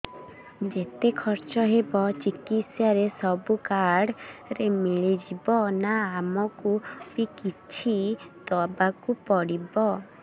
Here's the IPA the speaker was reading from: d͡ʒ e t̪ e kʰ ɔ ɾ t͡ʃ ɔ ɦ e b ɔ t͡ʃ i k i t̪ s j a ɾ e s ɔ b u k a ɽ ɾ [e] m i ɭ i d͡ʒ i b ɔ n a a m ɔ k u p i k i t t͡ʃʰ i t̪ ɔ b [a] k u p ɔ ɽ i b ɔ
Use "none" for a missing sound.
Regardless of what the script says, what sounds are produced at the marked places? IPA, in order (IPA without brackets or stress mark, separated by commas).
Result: e, a